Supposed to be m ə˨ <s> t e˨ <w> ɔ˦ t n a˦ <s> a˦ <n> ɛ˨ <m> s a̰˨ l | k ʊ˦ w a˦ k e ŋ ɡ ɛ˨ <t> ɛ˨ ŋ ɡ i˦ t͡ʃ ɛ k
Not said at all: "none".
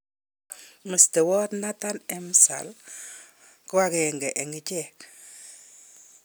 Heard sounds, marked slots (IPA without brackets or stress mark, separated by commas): s, w, t, n, m, ʔ